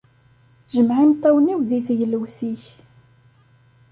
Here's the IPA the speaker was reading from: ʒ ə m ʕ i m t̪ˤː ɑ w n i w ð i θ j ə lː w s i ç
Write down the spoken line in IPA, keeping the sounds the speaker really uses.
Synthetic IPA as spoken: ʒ ə m ʕ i m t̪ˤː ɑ w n i w ð i θ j ə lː w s i ç